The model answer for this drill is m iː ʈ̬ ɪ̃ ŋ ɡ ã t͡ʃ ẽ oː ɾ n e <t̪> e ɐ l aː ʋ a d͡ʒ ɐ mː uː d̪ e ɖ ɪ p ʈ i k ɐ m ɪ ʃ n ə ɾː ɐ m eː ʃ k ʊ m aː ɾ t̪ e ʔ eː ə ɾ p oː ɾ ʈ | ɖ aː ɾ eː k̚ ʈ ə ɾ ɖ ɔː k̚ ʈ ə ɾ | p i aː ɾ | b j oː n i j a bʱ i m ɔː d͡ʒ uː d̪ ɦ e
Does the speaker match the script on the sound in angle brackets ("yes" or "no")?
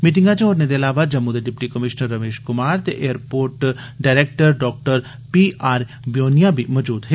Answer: no